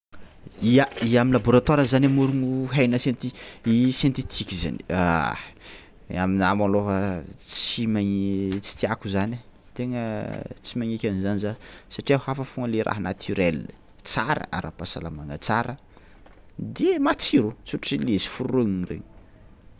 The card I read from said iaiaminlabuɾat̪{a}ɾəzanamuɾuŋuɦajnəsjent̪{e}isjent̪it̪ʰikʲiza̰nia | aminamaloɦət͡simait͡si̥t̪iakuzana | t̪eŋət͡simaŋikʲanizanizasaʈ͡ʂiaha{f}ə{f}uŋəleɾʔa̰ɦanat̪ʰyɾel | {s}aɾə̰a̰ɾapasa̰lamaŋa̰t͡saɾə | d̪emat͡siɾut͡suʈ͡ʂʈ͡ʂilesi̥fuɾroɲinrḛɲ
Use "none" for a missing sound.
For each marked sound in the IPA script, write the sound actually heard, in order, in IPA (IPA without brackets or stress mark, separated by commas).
a, i, f, f, t͡s